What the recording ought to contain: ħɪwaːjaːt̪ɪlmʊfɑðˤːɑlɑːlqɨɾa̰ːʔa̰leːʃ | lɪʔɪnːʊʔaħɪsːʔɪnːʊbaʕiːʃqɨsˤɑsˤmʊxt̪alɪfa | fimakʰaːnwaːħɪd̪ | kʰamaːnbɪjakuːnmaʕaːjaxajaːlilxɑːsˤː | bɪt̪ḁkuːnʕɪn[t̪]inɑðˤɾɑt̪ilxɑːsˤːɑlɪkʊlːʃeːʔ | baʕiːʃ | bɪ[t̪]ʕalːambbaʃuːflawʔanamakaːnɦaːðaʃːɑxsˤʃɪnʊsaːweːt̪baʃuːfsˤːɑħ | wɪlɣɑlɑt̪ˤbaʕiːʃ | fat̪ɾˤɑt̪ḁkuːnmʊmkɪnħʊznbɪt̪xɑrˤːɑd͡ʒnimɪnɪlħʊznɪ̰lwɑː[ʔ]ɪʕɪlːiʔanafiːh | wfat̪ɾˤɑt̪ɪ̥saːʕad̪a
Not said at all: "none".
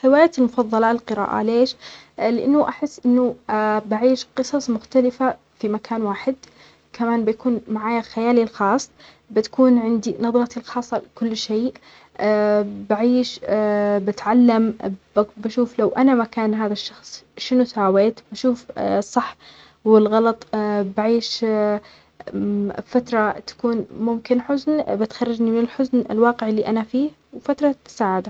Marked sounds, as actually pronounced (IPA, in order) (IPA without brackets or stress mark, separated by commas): d̪, t̪, q